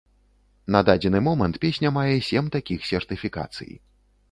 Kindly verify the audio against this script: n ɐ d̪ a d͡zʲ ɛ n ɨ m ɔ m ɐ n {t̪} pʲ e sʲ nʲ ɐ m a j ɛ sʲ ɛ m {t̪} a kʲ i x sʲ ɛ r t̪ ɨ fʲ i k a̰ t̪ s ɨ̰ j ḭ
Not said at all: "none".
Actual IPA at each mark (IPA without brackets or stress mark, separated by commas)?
t̪, t̪